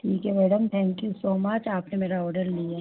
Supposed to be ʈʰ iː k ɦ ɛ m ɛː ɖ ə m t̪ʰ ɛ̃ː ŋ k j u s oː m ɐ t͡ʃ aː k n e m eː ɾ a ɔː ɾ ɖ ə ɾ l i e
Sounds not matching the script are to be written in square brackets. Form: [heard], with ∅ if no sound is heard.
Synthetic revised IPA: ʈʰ iː k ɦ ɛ m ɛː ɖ ə m t̪ʰ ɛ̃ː ŋ k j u s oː m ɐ t͡ʃ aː [p] n e m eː ɾ a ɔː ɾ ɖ ə ɾ l i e